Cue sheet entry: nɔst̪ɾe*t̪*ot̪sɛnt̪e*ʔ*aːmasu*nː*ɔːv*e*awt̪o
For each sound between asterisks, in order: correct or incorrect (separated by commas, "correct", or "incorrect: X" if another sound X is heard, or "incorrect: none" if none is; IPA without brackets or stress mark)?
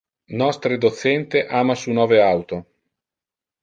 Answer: incorrect: d̪, correct, incorrect: n, correct